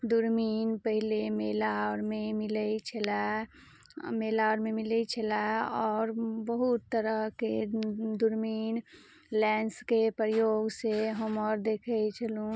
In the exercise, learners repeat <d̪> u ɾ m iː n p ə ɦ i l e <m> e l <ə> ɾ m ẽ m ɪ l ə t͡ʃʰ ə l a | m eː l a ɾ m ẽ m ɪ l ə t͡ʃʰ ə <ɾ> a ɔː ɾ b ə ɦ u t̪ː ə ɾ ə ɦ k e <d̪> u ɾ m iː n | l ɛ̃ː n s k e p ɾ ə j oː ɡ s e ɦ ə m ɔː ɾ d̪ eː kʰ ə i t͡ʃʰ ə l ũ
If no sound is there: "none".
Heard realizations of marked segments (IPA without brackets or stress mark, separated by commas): d̪, m, a, l, d̪